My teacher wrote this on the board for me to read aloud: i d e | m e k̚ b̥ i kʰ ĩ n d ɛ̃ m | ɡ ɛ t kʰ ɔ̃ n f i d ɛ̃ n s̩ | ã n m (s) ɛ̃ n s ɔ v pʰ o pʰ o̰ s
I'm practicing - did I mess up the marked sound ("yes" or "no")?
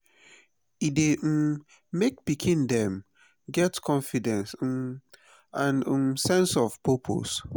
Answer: no